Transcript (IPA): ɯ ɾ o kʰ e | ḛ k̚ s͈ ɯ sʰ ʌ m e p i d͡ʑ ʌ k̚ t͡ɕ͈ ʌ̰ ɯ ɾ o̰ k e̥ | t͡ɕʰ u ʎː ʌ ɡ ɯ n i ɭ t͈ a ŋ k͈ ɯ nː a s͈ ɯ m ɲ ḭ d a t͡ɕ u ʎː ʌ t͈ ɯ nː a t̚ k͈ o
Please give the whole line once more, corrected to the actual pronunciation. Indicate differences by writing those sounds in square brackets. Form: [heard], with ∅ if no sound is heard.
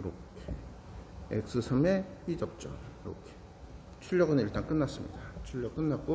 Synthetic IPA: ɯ ɾ o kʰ e | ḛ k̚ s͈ ɯ sʰ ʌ m e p i d͡ʑ ʌ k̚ t͡ɕ͈ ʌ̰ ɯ ɾ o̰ [kʰ] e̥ | t͡ɕʰ u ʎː ʌ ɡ ɯ n i ɭ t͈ a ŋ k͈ ɯ nː a s͈ ɯ m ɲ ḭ d a [t͡ɕʰ] u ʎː ʌ [k͈] ɯ nː a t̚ k͈ o